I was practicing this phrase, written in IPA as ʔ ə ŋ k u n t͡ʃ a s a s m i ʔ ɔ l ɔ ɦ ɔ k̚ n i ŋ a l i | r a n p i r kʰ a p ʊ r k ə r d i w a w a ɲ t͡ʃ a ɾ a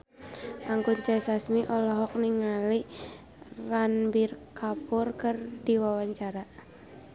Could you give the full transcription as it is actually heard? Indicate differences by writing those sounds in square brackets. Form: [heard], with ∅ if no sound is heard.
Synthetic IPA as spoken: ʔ [a] ŋ k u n t͡ʃ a s a s m i ʔ ɔ l ɔ ɦ ɔ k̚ n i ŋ a l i | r a n [b] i r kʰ a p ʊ r k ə r d i w a w a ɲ t͡ʃ a ɾ a